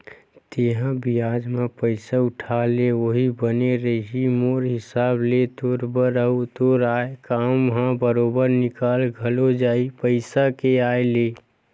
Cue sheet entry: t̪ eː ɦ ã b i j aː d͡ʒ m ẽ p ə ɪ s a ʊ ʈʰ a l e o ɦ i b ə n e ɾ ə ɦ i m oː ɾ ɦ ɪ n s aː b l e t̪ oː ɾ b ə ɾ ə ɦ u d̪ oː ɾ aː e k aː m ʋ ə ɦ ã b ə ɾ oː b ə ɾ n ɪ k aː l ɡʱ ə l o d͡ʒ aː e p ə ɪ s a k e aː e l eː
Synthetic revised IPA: t̪ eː ɦ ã b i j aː d͡ʒ m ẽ p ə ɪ s a ʊ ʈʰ a l e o ɦ i b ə n e ɾ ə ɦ i m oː ɾ ɦ ɪ s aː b l e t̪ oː ɾ b ə ɾ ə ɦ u t̪ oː ɾ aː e k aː m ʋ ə ɦ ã b ə ɾ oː b ə ɾ n ɪ k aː l ɡʱ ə l o d͡ʒ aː i p ə ɪ s a k e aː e l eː